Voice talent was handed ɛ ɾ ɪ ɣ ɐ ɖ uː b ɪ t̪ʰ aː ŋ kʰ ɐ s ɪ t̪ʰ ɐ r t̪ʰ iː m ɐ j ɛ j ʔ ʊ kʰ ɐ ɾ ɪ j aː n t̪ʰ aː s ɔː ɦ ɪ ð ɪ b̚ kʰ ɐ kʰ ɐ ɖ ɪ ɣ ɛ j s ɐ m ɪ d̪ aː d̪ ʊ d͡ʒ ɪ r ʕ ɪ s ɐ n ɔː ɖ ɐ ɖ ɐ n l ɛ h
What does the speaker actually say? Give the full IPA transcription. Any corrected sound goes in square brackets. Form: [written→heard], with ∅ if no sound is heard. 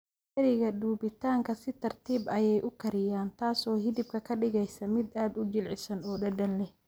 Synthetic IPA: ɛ ɾ ɪ ɣ ɐ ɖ uː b ɪ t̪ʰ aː ŋ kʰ ɐ s ɪ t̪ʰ ɐ r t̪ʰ iː [m→b] ɐ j ɛ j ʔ ʊ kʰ ɐ ɾ ɪ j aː n t̪ʰ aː s ɔː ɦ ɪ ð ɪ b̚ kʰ ɐ kʰ ɐ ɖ ɪ ɣ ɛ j s ɐ m ɪ d̪ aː d̪ ʊ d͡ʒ ɪ [r→l] ʕ ɪ s ɐ n ɔː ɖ ɐ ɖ ɐ n l ɛ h